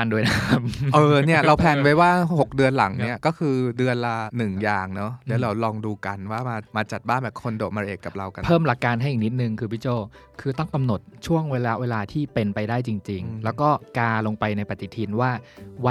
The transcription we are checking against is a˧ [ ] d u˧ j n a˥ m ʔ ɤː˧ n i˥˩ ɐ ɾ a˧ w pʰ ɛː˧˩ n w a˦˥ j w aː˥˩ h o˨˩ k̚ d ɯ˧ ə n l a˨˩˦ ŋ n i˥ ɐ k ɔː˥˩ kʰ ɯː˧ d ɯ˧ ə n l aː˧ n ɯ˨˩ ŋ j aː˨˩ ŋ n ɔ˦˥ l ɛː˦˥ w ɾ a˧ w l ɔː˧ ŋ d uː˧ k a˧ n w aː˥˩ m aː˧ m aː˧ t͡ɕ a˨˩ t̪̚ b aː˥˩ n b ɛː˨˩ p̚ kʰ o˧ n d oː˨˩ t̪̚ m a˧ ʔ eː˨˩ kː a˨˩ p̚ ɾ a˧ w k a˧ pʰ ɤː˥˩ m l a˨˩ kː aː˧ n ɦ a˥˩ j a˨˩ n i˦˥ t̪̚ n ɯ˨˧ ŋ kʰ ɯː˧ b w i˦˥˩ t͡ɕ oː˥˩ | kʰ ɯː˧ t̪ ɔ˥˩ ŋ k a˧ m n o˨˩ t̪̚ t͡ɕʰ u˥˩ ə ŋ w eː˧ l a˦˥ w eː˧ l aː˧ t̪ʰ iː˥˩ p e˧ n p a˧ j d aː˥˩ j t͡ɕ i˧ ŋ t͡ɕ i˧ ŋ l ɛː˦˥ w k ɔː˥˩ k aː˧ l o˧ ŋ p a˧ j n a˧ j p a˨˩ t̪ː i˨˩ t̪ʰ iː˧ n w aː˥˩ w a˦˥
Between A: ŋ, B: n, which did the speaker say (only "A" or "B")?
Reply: B